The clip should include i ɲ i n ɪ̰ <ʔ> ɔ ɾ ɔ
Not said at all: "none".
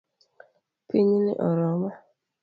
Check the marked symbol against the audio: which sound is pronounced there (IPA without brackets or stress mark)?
ʔ